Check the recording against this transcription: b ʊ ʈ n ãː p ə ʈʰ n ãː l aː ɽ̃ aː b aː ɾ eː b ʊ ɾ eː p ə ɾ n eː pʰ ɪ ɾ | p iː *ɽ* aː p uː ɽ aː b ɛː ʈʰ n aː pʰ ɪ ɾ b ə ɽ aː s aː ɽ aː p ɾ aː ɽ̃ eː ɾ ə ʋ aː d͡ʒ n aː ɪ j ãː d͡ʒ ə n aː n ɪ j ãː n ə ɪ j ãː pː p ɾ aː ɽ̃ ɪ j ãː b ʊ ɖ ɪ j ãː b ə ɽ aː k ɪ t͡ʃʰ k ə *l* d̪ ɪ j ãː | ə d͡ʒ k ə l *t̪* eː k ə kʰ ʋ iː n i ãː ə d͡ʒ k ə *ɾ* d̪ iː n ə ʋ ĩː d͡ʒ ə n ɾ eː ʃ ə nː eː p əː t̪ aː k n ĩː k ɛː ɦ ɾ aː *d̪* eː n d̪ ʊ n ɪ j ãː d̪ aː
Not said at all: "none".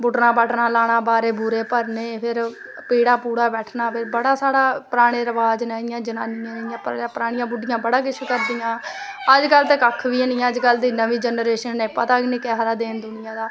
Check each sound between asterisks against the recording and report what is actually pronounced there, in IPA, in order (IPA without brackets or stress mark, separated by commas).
ɽ, ɾ, t̪, l, d̪